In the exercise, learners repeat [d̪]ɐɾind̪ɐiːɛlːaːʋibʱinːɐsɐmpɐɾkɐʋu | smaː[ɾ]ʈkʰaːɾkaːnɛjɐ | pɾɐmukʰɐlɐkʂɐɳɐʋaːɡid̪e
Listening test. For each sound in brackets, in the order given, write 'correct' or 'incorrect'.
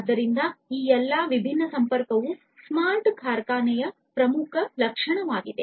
incorrect: d̪ː, correct

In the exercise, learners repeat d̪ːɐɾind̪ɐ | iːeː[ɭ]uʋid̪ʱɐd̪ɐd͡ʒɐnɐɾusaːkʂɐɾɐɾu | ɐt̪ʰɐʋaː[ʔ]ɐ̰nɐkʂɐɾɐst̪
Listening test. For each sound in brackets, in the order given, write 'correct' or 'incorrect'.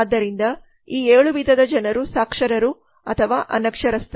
correct, correct

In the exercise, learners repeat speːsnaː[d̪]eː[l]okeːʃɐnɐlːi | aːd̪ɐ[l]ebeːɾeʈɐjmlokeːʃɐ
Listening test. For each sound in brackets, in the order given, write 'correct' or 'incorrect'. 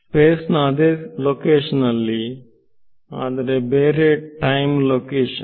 correct, correct, incorrect: ɾ

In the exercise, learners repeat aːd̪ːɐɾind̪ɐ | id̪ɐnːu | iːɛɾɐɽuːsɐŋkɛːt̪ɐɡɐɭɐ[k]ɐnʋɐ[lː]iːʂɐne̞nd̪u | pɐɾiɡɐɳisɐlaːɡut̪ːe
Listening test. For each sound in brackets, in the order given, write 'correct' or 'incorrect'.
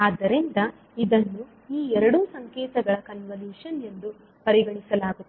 correct, incorrect: l

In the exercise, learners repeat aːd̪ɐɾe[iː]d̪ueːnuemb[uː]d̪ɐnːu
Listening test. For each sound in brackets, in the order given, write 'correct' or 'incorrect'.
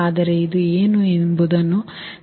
incorrect: i, incorrect: u

